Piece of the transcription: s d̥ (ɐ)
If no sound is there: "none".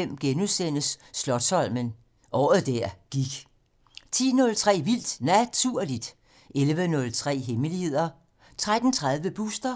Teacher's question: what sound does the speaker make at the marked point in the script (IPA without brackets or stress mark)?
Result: ɐ